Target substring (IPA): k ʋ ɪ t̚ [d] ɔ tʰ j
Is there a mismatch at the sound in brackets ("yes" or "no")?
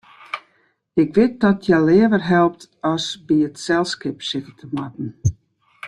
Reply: no